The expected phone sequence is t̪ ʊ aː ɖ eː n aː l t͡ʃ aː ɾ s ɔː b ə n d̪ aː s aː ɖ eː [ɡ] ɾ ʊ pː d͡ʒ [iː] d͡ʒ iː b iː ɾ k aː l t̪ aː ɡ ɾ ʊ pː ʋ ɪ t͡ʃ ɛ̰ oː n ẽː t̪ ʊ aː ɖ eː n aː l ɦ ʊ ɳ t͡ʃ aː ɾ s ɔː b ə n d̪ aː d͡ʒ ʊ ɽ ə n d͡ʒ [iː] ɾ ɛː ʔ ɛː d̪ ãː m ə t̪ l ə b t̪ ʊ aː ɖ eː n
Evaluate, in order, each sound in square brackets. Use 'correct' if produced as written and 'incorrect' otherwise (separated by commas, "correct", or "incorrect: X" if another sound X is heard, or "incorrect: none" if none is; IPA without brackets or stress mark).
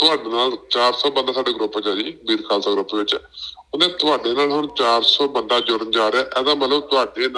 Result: correct, incorrect: aː, incorrect: aː